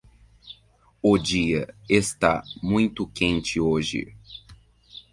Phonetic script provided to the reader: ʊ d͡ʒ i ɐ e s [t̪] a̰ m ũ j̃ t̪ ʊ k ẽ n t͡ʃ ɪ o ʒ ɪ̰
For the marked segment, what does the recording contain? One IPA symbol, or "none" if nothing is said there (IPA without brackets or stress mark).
t̪